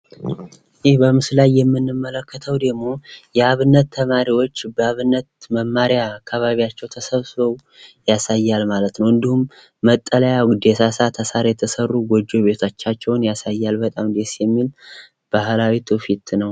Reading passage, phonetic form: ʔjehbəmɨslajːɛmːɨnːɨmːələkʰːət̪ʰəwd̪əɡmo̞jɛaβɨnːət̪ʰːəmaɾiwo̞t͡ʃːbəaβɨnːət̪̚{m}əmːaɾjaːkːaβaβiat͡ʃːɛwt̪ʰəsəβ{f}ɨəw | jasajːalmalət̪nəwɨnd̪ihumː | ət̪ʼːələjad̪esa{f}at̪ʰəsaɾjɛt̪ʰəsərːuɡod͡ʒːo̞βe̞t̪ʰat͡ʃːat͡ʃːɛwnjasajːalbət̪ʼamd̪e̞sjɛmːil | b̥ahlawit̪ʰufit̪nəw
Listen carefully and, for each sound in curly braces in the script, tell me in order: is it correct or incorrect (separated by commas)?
correct, incorrect, incorrect